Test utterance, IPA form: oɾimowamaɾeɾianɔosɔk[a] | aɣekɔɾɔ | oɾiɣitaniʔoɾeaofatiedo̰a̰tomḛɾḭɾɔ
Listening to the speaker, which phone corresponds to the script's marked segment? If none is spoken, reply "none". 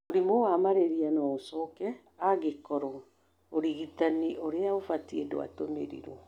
ɛ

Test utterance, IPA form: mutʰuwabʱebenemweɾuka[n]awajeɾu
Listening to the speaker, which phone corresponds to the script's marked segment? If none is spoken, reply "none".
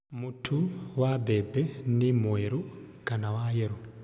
n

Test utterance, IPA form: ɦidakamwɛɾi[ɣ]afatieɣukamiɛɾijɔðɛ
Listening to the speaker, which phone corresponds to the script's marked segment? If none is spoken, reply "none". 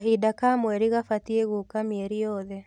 ɣ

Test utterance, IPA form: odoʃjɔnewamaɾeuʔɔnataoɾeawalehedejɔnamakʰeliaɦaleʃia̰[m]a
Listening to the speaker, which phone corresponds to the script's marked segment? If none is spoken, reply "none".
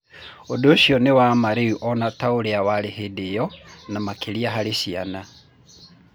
n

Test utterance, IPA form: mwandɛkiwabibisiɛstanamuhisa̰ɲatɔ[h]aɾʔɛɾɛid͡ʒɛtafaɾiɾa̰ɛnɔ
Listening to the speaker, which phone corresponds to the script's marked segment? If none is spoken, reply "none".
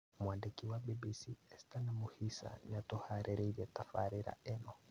h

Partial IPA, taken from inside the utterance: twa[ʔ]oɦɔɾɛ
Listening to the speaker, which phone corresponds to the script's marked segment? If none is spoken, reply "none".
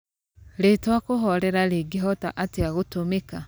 k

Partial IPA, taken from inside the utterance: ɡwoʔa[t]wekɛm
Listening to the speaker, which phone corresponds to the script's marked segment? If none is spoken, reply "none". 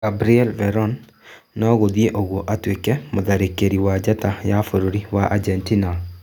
t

